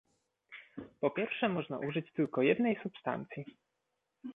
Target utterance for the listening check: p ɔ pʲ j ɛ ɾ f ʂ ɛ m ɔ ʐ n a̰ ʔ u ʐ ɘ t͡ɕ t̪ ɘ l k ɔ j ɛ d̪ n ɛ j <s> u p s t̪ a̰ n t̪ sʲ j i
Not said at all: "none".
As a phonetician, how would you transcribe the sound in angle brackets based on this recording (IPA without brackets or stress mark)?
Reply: s